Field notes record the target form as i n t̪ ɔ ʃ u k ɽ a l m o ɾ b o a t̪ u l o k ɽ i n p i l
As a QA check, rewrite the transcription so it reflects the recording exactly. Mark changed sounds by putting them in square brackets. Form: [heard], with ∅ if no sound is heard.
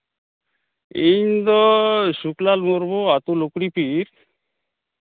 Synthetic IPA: i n [d̪] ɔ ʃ u k [l] a l m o ɾ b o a t̪ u l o k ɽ i [∅] p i [ɾ]

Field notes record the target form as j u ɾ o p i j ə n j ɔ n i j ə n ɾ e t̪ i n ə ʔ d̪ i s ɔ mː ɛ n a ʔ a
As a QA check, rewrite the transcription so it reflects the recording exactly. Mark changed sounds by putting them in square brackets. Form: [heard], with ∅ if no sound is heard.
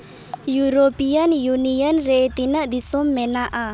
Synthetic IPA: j u ɾ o p i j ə n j [u] n i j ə n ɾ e t̪ i n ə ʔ d̪ i s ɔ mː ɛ n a ʔ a

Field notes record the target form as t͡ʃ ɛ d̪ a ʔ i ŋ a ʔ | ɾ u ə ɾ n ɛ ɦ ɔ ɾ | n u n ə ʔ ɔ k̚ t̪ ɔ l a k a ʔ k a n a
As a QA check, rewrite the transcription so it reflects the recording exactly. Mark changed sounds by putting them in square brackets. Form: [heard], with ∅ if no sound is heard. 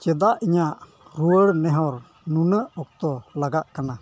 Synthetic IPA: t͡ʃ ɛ d̪ a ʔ i [ɲ] a ʔ | ɾ u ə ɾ n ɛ ɦ ɔ ɾ | n u n ə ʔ ɔ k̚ t̪ ɔ l a [ɡ] a ʔ k a n a

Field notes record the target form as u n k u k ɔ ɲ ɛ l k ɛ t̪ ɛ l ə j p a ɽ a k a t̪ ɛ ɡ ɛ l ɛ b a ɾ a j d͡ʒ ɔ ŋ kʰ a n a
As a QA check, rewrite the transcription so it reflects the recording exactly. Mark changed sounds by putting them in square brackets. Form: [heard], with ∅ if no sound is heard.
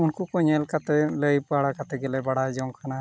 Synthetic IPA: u n k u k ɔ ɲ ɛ l k [a] t̪ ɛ l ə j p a ɽ a k a t̪ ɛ ɡ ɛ l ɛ b a [ɽ] a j d͡ʒ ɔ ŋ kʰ a n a

